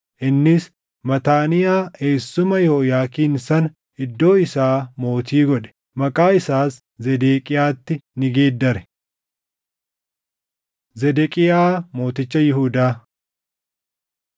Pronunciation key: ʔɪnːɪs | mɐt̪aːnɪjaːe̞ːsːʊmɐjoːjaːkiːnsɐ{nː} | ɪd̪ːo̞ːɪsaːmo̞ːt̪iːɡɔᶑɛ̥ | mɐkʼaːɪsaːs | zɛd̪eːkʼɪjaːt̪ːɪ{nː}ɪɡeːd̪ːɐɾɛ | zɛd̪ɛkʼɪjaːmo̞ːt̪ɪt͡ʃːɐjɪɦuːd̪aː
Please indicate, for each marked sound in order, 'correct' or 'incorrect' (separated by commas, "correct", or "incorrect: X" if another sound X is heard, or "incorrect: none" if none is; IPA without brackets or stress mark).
incorrect: n, incorrect: n